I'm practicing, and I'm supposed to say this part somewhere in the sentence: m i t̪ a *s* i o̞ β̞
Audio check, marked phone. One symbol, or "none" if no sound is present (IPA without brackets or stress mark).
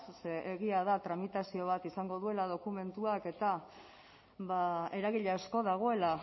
s